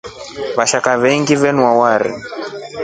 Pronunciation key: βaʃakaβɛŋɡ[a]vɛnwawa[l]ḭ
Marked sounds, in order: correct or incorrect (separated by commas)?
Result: incorrect, incorrect